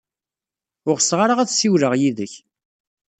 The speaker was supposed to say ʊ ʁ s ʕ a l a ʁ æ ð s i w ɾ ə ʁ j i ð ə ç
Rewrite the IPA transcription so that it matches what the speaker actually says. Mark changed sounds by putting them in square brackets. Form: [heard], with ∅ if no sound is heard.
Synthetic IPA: ʊ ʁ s [ʁ] a [ɾ] a ʁ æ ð s i w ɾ ə ʁ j i ð ə ç